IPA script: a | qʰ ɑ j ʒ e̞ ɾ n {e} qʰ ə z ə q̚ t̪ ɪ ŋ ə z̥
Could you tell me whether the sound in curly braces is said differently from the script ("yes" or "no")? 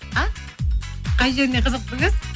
no